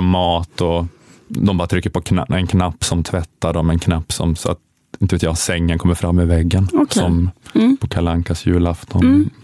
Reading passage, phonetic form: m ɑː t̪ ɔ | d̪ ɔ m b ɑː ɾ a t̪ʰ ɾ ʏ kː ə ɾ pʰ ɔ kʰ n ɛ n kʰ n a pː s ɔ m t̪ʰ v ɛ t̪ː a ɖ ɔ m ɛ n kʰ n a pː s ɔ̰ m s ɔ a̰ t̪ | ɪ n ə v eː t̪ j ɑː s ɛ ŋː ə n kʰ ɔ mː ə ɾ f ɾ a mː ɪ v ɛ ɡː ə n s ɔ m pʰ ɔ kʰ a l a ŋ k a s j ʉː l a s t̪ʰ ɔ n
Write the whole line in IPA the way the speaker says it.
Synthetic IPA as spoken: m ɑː t̪ ɔ | d̪ ɔ m b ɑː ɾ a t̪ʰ ɾ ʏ kː ə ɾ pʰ ɔ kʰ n ɛ n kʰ n a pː s ɔ m t̪ʰ v ɛ t̪ː a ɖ ɔ m ɛ n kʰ n a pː s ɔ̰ m s ɔ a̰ t̪ | ɪ n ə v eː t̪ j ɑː s ɛ ŋː ə n kʰ ɔ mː ə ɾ f ɾ a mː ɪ v ɛ ɡː ə n s ɔ m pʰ ɔ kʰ a l a ŋ k a s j ʉː l a f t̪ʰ ɔ n